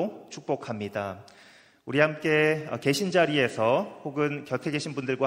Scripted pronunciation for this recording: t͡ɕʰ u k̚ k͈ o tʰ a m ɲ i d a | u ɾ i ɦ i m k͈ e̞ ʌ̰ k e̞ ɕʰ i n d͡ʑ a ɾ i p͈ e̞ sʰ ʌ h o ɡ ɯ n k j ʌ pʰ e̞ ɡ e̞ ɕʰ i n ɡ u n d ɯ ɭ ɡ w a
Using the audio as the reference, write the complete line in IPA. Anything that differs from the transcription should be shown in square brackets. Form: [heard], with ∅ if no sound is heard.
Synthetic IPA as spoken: t͡ɕʰ u k̚ [p͈] o [kʰ] a m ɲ i d a | u ɾ i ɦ [a] m k͈ e̞ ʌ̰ k e̞ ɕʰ i n d͡ʑ a ɾ i [∅] e̞ sʰ ʌ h o ɡ ɯ n k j ʌ [tʰ] e̞ ɡ e̞ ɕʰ i n [b] u n d ɯ ɭ ɡ w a